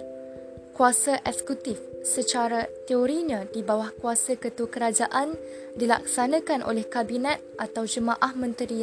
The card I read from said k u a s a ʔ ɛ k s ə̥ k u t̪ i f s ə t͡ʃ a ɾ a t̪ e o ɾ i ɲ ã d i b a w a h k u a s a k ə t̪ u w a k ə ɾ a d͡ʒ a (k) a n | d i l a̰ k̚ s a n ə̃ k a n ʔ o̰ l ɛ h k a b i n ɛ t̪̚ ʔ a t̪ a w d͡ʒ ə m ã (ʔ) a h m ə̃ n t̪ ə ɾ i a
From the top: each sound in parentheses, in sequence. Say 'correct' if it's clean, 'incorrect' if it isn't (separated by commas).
incorrect, correct